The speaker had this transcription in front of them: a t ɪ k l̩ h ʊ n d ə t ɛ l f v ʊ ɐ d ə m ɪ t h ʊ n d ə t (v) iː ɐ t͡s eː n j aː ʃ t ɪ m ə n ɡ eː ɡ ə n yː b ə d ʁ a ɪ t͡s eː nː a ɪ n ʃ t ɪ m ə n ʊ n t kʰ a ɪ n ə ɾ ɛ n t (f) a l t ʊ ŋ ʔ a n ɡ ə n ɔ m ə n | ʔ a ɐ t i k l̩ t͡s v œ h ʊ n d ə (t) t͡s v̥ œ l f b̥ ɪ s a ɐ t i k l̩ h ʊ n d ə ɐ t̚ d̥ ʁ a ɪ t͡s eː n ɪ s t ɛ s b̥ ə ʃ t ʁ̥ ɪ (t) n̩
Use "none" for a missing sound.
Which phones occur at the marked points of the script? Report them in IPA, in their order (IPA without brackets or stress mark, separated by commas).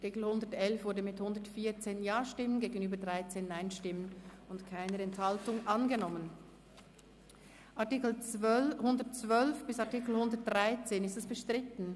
f, h, t, t